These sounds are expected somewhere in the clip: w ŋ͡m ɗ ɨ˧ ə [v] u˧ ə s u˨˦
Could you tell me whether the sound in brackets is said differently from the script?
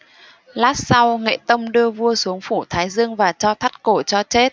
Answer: no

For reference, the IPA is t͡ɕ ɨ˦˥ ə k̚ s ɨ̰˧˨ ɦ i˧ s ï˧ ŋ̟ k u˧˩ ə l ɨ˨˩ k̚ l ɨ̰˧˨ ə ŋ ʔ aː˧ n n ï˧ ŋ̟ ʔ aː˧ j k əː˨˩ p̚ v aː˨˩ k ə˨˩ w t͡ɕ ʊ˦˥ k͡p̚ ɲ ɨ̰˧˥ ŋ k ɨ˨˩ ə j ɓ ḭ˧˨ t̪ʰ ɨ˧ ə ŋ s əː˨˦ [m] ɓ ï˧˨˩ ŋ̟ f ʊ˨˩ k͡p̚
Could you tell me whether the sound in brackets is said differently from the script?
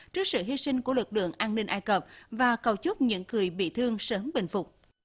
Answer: no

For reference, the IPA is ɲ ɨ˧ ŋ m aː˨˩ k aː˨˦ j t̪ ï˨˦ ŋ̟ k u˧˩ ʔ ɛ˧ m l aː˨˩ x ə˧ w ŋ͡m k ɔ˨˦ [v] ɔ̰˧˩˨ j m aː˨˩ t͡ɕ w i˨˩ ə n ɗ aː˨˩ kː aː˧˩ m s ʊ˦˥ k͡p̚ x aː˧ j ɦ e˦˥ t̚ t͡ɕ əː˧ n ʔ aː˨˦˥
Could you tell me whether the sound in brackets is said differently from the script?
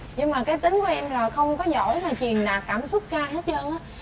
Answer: yes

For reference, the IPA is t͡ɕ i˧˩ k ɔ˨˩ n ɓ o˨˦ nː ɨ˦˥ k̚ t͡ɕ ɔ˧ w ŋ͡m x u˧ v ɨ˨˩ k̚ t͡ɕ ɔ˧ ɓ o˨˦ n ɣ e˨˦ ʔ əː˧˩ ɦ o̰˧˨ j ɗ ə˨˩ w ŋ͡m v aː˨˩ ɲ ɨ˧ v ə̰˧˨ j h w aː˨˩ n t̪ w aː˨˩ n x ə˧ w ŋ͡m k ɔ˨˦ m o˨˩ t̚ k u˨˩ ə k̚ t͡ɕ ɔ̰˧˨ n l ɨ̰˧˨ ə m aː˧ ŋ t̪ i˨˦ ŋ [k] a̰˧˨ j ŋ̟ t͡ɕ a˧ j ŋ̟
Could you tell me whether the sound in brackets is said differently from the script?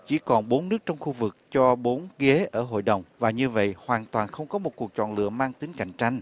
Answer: no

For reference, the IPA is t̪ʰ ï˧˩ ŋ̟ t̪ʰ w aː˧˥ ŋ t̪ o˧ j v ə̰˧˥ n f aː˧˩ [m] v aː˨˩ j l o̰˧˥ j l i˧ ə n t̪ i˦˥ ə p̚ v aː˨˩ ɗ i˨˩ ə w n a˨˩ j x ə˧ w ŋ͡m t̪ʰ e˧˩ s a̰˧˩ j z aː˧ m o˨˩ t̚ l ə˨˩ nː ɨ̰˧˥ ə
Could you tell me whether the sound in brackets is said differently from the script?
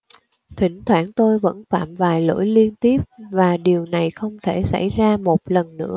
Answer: no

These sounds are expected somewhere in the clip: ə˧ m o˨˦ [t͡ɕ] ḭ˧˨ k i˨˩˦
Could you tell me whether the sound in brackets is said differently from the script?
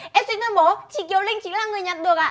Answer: no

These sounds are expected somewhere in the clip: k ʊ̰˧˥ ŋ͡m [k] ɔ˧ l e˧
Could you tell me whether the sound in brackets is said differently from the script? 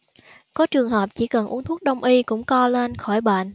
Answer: no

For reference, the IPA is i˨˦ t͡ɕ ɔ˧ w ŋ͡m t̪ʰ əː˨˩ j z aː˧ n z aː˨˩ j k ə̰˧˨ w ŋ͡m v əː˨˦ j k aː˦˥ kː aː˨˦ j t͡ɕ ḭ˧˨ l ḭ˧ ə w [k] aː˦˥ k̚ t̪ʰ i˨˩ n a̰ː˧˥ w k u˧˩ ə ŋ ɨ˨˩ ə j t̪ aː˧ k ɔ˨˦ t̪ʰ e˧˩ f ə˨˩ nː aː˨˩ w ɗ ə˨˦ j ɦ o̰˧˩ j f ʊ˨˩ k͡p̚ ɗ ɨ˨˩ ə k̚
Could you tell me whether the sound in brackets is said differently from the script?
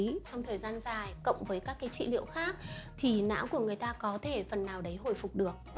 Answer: yes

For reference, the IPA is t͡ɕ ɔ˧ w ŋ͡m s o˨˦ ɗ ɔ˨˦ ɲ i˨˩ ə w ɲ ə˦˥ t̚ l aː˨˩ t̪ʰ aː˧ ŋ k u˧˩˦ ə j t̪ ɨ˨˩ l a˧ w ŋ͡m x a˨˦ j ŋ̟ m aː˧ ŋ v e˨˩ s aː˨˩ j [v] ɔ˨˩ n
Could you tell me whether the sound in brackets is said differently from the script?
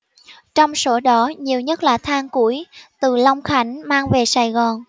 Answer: yes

